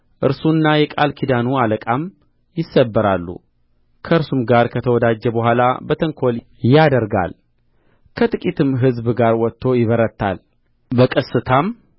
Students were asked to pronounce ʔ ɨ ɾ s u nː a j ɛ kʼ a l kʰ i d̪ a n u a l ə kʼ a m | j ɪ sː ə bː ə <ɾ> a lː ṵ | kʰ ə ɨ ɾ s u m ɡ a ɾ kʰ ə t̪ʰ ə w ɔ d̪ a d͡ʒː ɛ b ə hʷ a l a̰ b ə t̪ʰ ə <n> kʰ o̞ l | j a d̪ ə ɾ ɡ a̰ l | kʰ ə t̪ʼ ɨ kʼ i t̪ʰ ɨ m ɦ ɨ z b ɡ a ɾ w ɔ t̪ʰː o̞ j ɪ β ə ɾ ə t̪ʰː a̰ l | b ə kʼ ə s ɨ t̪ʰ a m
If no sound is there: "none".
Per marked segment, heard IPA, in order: ɾ, ŋ

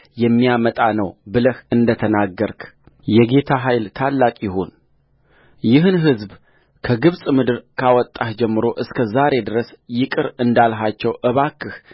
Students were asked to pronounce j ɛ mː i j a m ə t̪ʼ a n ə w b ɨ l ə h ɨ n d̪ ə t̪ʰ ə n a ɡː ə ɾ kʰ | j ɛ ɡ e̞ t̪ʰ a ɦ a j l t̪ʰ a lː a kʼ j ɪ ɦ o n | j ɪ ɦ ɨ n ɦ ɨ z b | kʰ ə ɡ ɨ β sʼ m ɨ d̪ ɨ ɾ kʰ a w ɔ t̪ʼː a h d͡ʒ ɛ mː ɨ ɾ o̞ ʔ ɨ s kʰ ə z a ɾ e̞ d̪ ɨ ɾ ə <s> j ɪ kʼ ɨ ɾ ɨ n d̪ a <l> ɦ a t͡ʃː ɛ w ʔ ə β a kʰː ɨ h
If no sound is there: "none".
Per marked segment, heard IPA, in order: s, l

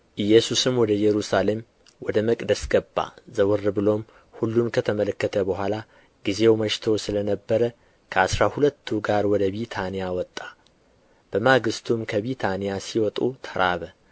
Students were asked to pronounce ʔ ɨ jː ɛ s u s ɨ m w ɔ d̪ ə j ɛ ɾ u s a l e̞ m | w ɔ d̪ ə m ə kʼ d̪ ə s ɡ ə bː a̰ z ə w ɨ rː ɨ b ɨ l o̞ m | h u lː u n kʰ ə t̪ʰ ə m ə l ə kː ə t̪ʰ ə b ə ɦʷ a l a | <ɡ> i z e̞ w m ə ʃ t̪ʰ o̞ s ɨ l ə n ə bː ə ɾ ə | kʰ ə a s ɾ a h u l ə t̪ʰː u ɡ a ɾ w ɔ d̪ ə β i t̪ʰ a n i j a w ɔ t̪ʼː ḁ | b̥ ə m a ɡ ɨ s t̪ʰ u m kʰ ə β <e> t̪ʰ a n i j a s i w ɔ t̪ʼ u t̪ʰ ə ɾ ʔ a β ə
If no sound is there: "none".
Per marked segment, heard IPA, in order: ɡ, i

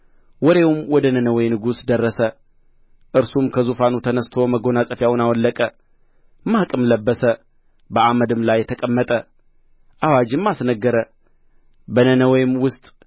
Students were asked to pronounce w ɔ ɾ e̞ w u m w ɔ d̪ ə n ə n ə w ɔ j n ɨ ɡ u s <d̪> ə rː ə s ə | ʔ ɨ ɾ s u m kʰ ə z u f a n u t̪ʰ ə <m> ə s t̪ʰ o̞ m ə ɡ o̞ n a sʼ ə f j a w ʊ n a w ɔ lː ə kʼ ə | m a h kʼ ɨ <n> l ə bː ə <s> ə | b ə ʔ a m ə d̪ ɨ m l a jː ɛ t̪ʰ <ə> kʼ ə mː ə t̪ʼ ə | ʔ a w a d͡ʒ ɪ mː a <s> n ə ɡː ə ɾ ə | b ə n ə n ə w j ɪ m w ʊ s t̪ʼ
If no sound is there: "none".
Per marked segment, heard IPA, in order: d̪, n, m, s, ə, s

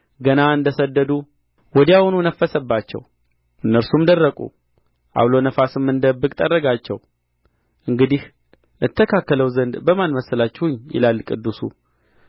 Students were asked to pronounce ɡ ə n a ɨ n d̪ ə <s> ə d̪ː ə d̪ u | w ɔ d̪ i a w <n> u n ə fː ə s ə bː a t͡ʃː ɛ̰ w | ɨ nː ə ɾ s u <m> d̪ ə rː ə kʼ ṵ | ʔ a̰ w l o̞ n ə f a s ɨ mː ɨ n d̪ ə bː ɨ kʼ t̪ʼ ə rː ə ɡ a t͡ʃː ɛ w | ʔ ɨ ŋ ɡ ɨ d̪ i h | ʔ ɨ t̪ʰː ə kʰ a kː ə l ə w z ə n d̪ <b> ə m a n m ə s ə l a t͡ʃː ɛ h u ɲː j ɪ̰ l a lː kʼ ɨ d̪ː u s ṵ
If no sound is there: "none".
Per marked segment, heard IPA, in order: s, n, m, b

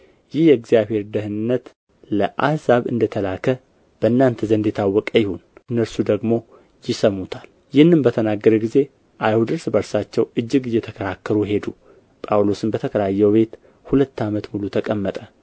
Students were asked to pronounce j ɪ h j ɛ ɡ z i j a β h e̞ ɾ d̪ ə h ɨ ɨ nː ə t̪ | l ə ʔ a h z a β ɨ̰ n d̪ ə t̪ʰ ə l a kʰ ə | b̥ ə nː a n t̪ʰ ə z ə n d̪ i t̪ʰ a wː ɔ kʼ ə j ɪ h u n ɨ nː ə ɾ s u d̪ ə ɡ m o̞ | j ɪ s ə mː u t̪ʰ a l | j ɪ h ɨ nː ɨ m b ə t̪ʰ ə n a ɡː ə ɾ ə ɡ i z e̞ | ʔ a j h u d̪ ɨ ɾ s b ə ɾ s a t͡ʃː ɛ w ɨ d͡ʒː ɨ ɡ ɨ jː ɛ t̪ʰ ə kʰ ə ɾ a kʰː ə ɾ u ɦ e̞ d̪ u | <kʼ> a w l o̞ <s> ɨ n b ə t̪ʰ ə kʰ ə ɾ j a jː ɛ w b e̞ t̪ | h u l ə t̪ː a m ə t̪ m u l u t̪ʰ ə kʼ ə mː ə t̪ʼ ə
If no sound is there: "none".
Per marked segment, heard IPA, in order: pʼ, s

